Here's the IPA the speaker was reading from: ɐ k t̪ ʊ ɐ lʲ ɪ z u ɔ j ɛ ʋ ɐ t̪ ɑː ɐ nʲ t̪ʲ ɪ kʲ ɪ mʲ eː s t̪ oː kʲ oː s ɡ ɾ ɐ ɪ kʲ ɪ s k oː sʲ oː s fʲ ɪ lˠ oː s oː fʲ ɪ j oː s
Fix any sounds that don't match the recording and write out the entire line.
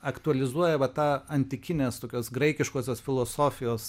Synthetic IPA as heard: ɐ k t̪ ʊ ɐ lʲ ɪ z u ɔ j ɛ ʋ ɐ t̪ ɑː ɐ nʲ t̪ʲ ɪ kʲ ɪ nʲ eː s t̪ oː kʲ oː s ɡ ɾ ɐ ɪ kʲ ɪ ʃ k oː sʲ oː s fʲ ɪ lˠ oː s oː fʲ ɪ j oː s